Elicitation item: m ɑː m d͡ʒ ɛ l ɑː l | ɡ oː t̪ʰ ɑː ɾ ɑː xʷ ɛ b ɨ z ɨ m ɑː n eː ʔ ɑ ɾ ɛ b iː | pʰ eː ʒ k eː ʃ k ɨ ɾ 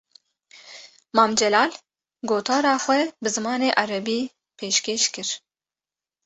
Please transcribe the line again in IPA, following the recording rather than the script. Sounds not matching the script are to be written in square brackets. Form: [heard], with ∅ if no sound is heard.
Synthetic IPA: m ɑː m d͡ʒ ɛ l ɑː l | ɡ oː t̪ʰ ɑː ɾ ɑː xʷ ɛ b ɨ z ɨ m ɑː n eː ʔ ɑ ɾ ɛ b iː | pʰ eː [ʃ] k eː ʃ k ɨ ɾ